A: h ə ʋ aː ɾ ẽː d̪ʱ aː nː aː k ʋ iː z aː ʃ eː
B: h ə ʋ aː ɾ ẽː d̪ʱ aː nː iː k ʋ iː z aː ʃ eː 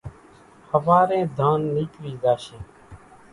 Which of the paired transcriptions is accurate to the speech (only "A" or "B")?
B